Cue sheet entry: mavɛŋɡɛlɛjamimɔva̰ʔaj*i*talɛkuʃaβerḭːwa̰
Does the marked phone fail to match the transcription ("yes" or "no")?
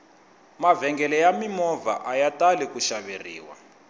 yes